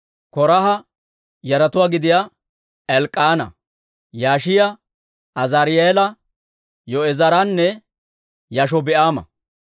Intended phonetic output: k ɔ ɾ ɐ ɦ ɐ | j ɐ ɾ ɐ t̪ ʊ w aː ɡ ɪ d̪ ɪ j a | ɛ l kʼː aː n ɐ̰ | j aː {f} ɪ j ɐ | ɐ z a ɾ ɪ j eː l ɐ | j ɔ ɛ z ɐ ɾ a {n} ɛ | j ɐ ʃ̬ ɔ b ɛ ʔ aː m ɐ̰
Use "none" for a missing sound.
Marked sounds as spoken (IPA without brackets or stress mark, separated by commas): ʃ, nː